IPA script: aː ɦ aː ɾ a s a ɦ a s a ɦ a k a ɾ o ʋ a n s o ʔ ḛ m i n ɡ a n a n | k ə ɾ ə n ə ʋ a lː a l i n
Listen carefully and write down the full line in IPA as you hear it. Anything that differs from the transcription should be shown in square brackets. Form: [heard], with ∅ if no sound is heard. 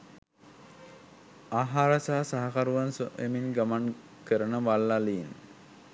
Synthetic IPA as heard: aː ɦ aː ɾ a s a ɦ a s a ɦ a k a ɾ [u] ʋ a n s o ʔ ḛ m i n ɡ a [m] a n | k ə ɾ ə n ə ʋ a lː a l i n